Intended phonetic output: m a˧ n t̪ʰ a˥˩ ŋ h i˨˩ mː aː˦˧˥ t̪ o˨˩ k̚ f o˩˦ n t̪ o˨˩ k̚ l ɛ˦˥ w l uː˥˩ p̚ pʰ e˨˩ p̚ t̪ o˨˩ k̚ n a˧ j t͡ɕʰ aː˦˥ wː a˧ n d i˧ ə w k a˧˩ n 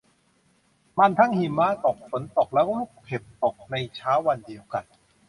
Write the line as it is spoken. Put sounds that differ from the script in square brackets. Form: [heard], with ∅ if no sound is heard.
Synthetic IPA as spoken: m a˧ n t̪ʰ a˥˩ ŋ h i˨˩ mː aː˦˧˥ t̪ o˨˩ k̚ f o˩˦ n t̪ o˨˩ k̚ l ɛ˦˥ w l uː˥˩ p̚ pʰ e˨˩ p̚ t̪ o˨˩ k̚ n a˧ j t͡ɕʰ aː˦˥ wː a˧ n d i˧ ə w k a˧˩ n